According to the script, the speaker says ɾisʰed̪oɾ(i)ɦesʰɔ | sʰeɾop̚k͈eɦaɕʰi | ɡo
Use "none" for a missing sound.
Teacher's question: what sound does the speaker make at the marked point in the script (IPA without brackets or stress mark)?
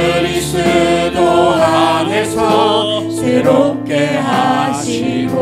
a